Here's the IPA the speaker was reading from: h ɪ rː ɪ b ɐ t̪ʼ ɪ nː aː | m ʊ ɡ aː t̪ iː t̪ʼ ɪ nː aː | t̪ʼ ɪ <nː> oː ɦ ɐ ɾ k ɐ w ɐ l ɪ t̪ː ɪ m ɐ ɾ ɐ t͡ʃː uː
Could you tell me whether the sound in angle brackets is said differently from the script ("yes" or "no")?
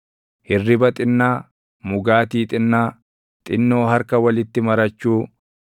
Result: no